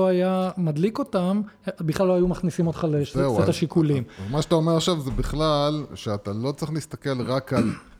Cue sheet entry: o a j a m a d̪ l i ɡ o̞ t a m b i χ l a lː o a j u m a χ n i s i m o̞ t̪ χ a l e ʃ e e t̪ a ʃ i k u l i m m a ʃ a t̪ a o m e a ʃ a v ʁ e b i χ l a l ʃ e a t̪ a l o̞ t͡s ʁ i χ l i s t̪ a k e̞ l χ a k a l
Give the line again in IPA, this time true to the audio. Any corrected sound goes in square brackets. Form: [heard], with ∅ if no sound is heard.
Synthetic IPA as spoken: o a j a m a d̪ l i [k] o̞ t a m b i χ l a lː o a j u m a χ n i s i m o̞ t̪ χ a l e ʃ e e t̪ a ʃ i k u l i m m a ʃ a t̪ a o m e a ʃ a v [z] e b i χ l a l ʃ e a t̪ a l o̞ t͡s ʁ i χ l i s t̪ a k e̞ l [ʁ] a k a l